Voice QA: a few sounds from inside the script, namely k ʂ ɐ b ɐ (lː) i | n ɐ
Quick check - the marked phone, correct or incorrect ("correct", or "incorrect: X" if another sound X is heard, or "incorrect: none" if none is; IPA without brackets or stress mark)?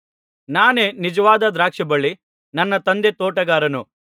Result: incorrect: ɭː